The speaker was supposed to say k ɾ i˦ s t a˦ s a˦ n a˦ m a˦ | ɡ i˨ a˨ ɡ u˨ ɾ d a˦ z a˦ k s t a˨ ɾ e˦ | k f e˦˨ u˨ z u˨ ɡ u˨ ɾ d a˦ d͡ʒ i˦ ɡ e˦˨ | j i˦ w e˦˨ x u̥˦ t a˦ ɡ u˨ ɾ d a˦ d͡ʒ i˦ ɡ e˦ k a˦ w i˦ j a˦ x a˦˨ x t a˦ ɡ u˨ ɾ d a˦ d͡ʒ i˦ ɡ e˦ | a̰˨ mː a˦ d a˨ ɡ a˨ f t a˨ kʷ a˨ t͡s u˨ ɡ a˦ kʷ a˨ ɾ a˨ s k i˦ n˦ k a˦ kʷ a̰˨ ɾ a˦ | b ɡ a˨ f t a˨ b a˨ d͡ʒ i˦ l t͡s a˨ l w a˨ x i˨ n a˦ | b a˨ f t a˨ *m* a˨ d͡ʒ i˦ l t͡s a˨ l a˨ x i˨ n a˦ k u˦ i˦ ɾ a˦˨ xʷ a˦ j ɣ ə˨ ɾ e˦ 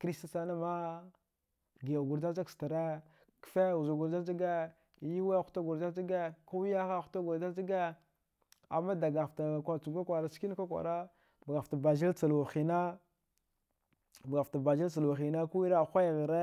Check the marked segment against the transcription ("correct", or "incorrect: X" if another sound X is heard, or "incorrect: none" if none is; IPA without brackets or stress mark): incorrect: b